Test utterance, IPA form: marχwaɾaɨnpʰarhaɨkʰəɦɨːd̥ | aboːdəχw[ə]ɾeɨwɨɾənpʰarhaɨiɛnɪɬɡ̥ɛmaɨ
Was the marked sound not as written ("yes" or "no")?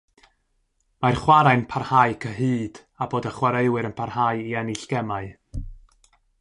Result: yes